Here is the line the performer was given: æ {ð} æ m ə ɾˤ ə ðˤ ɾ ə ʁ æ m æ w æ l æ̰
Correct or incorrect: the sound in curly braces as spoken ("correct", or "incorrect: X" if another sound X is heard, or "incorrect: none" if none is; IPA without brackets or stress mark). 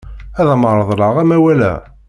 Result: correct